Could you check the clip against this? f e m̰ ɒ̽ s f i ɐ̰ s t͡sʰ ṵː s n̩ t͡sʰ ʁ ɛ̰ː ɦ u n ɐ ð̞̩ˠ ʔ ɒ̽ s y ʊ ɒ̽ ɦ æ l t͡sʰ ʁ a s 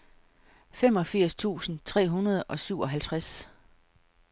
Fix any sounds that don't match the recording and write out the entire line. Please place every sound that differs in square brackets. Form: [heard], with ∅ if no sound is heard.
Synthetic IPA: f e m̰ ɒ̽ [∅] f i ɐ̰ s t͡sʰ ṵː s n̩ t͡sʰ ʁ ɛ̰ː ɦ u n ɐ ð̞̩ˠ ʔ ɒ̽ s y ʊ ɒ̽ ɦ æ l t͡sʰ ʁ a s

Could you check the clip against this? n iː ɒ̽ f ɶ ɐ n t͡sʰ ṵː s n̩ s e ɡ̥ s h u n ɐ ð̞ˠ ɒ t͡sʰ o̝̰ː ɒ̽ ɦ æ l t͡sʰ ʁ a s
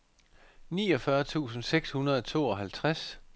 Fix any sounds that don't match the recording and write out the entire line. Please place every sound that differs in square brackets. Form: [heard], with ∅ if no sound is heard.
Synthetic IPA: n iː ɒ̽ f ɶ ɐ [∅] t͡sʰ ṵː s n̩ s e ɡ̥ s h u n ɐ ð̞ˠ ɒ t͡sʰ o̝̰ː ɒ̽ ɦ æ l t͡sʰ ʁ a s

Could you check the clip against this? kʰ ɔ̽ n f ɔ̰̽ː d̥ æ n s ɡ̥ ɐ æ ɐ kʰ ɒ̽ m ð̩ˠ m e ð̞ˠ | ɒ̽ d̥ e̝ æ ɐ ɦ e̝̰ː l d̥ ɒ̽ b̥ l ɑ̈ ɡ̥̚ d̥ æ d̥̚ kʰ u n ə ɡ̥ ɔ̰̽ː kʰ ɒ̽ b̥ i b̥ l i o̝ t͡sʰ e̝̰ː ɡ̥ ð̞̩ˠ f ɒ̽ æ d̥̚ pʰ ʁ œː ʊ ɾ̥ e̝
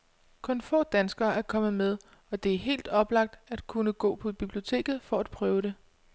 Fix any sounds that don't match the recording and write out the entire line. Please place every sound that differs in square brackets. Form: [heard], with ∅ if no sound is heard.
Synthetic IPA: kʰ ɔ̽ n f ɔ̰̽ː d̥ æ n s ɡ̥ ɐ æ ɐ kʰ ɒ̽ m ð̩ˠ m e ð̞ˠ | ɒ̽ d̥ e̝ æ ɐ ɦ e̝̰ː l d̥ ɒ̽ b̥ l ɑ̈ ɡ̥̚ d̥ æ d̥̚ kʰ u n ə ɡ̥ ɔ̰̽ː [pʰ] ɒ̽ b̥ i b̥ l i o̝ t͡sʰ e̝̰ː ɡ̥ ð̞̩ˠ f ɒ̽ æ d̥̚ pʰ ʁ œː ʊ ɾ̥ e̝

